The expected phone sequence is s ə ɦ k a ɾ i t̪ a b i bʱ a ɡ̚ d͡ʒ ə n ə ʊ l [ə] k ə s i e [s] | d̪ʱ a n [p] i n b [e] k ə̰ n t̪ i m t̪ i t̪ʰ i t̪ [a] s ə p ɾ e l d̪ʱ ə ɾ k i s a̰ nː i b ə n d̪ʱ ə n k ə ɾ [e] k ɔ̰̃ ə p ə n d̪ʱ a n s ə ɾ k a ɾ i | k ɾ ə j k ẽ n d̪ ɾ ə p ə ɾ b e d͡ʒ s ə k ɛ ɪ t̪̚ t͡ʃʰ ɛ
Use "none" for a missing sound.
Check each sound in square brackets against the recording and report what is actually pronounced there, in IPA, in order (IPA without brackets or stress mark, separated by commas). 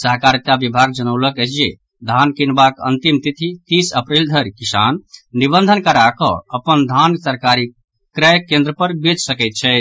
ə, none, k, a, i, a